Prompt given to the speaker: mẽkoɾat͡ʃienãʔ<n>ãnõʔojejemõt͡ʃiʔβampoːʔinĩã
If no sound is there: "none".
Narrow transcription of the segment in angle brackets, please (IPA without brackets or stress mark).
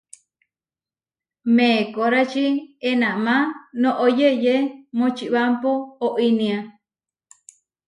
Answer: m